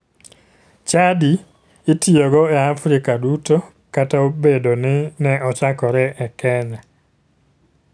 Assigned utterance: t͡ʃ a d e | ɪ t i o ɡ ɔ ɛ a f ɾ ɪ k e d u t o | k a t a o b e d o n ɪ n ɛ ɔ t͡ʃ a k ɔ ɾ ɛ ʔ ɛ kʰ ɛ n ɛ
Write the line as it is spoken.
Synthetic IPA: t͡ʃ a d i | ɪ t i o ɡ ɔ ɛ a f ɾ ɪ k a d u t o | k a t a o b e d o n ɪ n ɛ ɔ t͡ʃ a k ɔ ɾ ɛ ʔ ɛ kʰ ɛ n ɛ